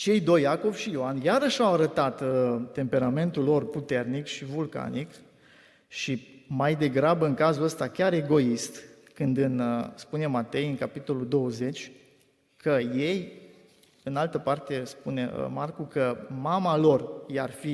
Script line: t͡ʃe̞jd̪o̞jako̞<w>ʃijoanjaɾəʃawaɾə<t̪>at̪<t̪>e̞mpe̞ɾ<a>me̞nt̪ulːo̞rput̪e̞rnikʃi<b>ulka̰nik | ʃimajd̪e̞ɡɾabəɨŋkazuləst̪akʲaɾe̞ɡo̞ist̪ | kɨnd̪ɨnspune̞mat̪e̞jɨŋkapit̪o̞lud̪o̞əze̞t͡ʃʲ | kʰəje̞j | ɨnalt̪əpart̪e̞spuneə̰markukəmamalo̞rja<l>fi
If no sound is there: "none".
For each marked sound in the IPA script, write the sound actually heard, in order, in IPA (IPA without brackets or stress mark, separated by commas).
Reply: v, t̪, t̪, a, v, r